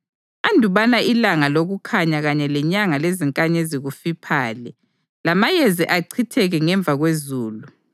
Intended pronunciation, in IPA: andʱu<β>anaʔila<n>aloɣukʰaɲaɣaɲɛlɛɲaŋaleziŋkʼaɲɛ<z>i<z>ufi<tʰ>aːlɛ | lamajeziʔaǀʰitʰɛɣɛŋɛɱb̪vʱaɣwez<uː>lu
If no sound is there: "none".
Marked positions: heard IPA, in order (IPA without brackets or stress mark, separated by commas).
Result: β, ŋ, z, ɣ, pʰ, uː